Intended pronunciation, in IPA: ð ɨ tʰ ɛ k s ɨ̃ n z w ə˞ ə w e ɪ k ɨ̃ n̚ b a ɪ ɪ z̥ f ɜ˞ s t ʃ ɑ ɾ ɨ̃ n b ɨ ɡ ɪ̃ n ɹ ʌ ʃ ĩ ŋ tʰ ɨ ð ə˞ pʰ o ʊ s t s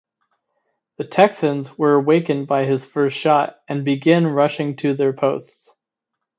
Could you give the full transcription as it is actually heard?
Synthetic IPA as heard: ð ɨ tʰ ɛ k s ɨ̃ n z w ə˞ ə w e ɪ k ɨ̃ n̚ b a ɪ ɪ z̥ f ɜ˞ s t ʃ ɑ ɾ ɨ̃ n b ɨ ɡ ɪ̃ n ɹ ʌ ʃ ɪ̃ ŋ tʰ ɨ ð ə˞ pʰ o ʊ s t s